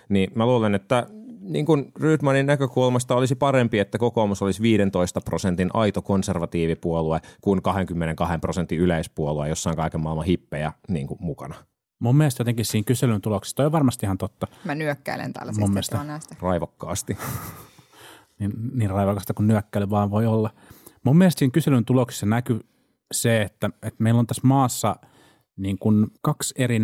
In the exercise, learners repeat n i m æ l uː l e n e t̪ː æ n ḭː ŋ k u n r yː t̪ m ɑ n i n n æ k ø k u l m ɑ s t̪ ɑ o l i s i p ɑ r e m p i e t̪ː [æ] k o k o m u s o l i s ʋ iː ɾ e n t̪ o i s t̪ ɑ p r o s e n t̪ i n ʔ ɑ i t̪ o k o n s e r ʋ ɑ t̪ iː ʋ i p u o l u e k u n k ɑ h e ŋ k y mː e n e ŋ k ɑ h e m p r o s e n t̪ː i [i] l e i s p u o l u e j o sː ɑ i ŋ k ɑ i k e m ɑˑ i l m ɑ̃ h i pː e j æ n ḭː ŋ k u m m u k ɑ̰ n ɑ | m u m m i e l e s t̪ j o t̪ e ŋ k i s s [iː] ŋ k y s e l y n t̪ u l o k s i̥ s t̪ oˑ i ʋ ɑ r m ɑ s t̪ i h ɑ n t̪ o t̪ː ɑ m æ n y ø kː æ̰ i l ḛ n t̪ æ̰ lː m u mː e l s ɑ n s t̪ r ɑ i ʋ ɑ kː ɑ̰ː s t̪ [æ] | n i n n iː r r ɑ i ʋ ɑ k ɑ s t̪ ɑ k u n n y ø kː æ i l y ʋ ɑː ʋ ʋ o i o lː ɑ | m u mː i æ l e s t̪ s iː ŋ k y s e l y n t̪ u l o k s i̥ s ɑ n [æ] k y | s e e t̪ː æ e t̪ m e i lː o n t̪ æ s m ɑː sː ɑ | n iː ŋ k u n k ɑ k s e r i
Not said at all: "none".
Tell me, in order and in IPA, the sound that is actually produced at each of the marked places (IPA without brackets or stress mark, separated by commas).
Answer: æ, y, iː, i, æ